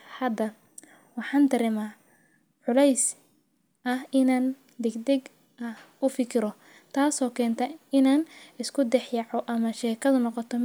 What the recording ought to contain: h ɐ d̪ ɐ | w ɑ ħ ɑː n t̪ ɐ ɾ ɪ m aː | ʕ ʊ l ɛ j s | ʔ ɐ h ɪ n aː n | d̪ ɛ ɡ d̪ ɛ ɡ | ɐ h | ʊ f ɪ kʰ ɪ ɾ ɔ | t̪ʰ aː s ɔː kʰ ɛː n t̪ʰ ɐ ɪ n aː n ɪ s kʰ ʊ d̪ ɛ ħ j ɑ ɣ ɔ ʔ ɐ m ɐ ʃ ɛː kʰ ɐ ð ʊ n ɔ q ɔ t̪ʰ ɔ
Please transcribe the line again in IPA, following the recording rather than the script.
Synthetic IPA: h ɐ d̪ ɐ | w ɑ ħ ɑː n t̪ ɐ ɾ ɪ m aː | ʕ ʊ l ɛ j s | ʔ ɐ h ɪ n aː n | d̪ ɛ ɡ d̪ ɛ ɡ | ɐ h | ʊ f ɪ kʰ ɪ ɾ ɔ | t̪ʰ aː s ɔː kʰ ɛː n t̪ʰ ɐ ɪ n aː n ɪ s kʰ ʊ d̪ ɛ ħ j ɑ ʕ ɔ ʔ ɐ m ɐ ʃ ɛː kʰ ɐ ð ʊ n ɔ q ɔ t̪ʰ ɔ